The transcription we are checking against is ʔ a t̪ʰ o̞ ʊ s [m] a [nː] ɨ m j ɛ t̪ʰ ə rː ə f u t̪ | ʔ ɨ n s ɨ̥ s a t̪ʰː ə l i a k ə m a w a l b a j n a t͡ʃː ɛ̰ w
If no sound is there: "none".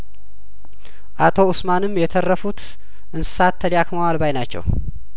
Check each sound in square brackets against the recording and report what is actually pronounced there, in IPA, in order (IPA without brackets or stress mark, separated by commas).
m, n